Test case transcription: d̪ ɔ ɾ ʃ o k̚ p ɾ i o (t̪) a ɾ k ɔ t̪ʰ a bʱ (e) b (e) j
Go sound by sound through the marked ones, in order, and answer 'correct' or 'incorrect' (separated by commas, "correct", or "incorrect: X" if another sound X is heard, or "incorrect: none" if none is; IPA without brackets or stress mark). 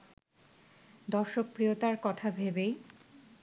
correct, correct, correct